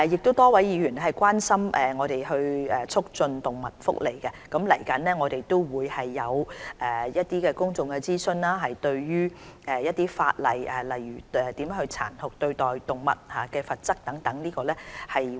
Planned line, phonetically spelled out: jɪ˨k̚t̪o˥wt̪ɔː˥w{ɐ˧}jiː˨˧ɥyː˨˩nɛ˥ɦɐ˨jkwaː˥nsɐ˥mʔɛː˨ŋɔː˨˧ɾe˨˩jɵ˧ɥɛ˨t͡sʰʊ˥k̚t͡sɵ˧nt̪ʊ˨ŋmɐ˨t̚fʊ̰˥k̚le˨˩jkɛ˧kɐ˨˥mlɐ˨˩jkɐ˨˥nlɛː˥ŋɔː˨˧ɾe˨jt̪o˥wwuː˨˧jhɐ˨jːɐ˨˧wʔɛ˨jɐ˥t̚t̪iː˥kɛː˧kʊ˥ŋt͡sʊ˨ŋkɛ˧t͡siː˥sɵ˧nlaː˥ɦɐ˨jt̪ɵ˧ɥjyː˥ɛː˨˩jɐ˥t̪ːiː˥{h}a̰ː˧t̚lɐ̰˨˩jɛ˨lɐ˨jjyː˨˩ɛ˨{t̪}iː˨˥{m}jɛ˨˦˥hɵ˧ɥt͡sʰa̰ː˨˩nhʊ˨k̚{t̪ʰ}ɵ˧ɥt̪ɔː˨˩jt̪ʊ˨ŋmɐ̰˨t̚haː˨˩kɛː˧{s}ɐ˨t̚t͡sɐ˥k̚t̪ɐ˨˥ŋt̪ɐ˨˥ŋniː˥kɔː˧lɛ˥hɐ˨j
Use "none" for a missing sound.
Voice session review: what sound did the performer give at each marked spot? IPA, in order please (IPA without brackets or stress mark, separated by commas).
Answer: ɐ˨˥, f, t̪, m, t̪, f